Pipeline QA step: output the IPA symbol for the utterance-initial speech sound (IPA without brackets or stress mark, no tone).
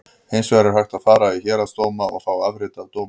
h